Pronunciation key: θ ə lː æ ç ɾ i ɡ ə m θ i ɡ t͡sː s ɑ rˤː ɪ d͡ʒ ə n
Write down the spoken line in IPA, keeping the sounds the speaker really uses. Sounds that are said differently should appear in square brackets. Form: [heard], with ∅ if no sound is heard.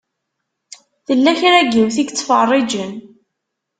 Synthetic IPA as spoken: θ ə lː æ ç ɾ [æ] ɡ ə m θ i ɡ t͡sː [f] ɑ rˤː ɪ d͡ʒ ə n